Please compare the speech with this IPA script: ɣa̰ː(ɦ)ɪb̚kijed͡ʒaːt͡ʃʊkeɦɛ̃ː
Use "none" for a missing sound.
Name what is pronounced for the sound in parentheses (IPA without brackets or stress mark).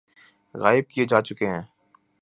none